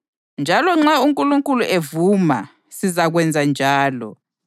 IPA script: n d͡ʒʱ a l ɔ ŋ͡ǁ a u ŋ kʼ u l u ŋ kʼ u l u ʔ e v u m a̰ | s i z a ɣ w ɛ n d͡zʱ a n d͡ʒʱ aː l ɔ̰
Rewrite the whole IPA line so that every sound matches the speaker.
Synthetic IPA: n d͡ʒʱ a l ɔ ŋ͡ǁ a u ŋ kʼ u l u ŋ kʼ u l u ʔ e v u m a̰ | s i z a ɣ w ɛ n d͡zʱ a n d͡ʒʱ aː l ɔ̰